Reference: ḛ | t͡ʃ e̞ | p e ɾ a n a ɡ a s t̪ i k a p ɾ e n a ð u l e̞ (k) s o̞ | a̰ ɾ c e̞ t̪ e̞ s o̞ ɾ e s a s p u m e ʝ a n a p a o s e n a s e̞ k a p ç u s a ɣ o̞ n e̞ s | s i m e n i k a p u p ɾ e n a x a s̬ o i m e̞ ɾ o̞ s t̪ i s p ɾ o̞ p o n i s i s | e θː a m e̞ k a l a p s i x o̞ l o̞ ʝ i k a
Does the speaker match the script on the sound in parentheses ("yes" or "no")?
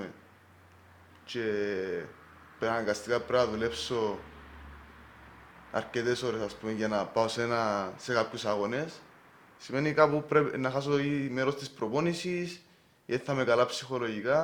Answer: no